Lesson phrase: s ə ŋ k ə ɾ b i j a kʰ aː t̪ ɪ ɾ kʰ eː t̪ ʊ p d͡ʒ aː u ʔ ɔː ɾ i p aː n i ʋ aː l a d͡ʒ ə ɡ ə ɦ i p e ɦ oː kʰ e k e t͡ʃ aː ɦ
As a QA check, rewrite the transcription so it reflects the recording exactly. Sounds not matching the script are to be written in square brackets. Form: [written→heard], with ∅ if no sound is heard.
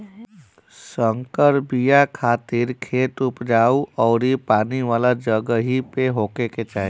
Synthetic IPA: s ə ŋ k ə ɾ b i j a kʰ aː t̪ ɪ ɾ kʰ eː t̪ ʊ p d͡ʒ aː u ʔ ɔː ɾ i p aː n i ʋ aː l a d͡ʒ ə ɡ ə ɦ i p e ɦ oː [kʰ→k] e k e t͡ʃ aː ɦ